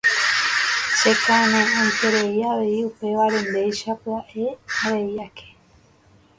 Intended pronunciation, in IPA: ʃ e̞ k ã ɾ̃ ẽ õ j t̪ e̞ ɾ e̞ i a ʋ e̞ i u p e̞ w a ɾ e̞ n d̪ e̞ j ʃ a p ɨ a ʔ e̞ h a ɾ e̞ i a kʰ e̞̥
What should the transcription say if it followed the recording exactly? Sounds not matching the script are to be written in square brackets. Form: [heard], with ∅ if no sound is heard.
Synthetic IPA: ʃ e̞ k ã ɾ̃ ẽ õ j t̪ e̞ ɾ e̞ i a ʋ e̞ i u p e̞ [ʋ] a ɾ e̞ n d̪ e̞ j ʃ a p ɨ a ʔ e̞ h a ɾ e̞ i a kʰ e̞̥